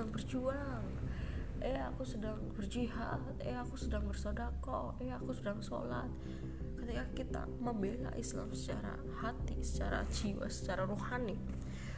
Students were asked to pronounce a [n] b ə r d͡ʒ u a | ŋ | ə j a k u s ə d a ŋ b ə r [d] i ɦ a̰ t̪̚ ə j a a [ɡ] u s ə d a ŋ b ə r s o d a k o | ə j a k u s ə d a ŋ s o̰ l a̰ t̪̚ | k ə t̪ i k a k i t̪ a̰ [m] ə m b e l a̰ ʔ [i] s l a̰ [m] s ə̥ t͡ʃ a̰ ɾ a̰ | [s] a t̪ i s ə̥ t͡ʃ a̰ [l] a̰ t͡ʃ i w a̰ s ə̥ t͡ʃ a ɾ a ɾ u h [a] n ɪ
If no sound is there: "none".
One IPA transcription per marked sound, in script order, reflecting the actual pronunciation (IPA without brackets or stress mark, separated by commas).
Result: ŋ, d͡ʒ, k, m, i, m, h, ɾ, a